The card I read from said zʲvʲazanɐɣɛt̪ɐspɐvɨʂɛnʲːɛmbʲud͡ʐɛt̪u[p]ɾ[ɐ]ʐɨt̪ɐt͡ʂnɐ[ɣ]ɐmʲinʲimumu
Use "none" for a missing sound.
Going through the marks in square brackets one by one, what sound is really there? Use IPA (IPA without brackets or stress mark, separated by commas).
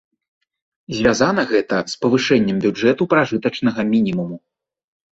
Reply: p, a, ɣ